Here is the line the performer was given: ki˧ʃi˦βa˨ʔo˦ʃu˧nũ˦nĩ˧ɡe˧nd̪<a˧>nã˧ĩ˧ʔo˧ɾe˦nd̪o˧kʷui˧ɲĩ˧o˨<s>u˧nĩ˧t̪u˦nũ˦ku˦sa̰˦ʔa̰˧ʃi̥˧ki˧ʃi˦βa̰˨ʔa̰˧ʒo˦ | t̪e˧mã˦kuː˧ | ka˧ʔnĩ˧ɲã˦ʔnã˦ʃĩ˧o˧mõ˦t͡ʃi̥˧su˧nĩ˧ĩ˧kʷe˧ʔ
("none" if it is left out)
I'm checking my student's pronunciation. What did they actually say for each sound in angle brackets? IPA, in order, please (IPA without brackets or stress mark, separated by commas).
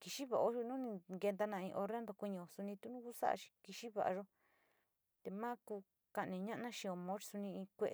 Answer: a˧, s